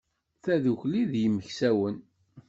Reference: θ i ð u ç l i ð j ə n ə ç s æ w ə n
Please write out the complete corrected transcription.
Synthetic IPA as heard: θ æ ð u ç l i ð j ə m ə ç s æ w ə n